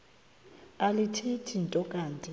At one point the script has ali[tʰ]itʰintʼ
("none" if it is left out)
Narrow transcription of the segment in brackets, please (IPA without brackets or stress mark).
tʰ